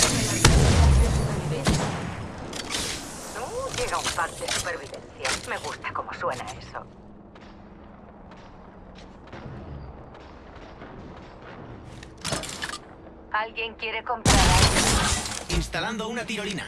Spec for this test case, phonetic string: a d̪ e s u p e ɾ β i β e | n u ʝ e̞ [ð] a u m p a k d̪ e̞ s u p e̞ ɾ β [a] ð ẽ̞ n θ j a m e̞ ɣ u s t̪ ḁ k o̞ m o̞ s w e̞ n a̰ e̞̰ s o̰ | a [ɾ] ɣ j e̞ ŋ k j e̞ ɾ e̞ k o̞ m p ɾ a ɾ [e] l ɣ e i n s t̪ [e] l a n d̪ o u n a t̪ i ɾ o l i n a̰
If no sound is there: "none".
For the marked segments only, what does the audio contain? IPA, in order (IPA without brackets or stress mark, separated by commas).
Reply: ɣ, i, l, a, a